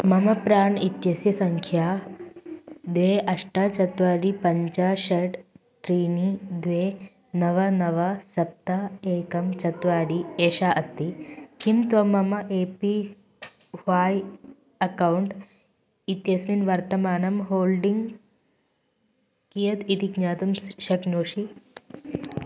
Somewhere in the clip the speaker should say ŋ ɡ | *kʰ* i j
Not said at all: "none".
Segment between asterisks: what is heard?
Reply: k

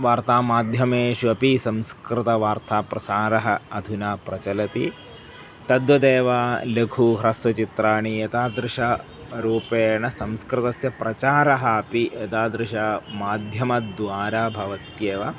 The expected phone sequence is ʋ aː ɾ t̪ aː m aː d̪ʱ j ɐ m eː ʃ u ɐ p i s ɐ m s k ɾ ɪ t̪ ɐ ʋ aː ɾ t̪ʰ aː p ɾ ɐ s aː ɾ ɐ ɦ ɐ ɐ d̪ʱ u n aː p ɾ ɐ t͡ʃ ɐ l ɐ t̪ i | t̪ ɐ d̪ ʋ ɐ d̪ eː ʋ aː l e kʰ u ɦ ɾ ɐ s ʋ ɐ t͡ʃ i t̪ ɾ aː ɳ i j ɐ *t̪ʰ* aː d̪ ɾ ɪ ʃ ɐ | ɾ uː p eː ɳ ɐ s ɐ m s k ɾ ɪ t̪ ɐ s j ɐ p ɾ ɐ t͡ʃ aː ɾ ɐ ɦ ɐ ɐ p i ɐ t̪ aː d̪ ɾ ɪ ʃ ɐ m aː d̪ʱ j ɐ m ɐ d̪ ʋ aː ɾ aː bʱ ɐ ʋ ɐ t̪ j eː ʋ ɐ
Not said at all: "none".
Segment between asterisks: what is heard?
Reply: t̪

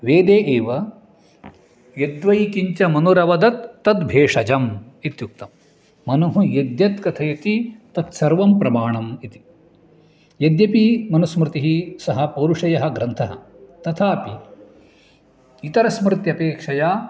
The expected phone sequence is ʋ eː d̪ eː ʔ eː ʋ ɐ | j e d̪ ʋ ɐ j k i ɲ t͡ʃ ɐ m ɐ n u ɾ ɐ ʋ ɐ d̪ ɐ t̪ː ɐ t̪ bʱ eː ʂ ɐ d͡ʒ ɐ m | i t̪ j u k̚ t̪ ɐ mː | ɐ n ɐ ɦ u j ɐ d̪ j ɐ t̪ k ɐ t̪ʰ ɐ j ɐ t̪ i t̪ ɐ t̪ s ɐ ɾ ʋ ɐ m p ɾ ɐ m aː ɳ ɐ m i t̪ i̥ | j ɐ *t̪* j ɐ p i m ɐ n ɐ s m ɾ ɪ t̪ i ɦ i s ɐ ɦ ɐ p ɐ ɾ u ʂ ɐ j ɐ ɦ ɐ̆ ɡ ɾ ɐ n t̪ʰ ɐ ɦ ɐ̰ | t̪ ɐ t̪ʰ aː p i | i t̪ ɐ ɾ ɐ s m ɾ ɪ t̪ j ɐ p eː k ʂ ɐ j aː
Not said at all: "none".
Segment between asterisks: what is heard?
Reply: d̪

